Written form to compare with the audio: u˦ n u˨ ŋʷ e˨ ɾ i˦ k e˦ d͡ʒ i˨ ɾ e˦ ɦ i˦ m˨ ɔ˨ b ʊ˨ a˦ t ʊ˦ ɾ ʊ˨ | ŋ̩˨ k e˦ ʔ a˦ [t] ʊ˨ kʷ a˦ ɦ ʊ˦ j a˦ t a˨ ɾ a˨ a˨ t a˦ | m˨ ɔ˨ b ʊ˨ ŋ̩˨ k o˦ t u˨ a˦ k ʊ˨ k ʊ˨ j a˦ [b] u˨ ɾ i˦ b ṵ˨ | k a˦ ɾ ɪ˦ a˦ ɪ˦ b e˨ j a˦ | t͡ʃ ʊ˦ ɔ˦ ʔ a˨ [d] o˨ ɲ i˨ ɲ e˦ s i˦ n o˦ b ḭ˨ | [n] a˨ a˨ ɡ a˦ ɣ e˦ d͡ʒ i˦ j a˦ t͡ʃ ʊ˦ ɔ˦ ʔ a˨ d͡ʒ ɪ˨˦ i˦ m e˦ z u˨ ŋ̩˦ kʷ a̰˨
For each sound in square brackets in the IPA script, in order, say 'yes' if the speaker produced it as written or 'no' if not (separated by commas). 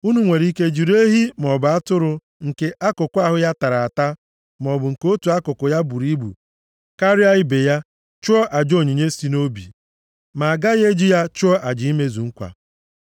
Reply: no, yes, no, no